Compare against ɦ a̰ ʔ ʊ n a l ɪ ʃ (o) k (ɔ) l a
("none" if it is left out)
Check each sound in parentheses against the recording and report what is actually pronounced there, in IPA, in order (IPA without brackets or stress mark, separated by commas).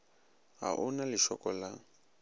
ɔ, ɔ